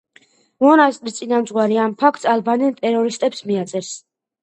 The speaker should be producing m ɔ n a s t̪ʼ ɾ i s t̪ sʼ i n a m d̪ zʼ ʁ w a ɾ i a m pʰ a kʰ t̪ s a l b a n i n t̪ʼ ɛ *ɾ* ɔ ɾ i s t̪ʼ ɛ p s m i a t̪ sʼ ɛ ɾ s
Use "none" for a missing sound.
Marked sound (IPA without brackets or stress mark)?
ɾ